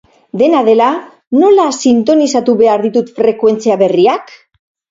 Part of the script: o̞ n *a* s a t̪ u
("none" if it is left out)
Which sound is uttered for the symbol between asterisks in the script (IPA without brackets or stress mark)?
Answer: i